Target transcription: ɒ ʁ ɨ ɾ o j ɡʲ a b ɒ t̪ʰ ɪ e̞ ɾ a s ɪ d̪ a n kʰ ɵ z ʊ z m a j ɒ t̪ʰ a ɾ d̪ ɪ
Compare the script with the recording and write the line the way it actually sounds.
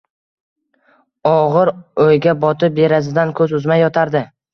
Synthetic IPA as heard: ɒ ʁ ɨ ɾ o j ɡʲ a b ɒ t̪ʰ ɪ e̞ ɾ a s ɪ d̪ a n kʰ ɵ z ʊ z m a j ɒ t̪ʰ a ɾ d̪ ɪ